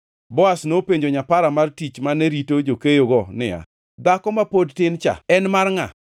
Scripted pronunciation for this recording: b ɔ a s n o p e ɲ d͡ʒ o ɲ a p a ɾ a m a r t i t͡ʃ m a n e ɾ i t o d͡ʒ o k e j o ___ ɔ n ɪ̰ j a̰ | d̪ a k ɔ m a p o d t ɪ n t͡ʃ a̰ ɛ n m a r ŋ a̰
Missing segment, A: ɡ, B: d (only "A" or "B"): A